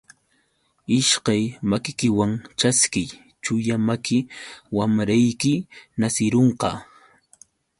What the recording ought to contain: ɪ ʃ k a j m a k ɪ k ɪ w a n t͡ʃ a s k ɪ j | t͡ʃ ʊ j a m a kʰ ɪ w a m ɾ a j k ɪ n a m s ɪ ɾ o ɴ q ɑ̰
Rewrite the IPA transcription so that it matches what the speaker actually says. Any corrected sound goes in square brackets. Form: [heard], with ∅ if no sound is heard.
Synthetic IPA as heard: ɪ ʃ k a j m a k ɪ k ɪ w a [ŋ] t͡ʃ a s k ɪ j | t͡ʃ ʊ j a m a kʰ ɪ w a m ɾ a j k ɪ n a [∅] s ɪ ɾ o ɴ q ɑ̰